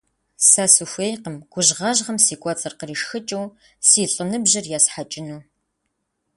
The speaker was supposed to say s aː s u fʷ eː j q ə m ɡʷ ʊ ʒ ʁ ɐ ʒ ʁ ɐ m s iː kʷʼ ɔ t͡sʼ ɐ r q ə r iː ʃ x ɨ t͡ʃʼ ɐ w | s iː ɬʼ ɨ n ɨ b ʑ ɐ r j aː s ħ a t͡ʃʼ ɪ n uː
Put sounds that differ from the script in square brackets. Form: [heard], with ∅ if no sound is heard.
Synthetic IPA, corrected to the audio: s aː s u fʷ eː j q ə m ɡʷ ʊ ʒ ʁ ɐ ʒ ʁ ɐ m s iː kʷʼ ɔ t͡sʼ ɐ r q ə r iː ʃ x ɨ t͡ʃʼ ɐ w | s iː ɬʼ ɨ n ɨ b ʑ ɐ r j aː s ħ a t͡ʃʼ ɪ n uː